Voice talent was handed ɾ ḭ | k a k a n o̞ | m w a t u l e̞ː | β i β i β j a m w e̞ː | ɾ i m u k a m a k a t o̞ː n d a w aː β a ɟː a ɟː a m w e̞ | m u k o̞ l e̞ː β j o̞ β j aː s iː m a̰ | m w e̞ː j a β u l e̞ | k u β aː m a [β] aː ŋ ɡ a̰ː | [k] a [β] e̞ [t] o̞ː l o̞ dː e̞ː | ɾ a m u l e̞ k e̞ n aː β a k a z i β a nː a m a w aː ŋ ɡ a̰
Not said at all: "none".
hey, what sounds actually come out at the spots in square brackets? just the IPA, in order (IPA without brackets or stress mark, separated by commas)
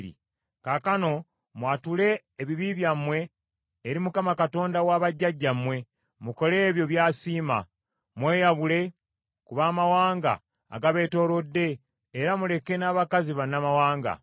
w, ɡ, β, t